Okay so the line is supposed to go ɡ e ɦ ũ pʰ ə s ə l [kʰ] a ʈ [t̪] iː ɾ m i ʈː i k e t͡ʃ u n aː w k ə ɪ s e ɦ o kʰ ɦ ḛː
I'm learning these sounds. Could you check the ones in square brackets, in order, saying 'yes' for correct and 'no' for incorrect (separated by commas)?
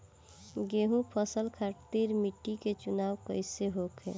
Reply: yes, yes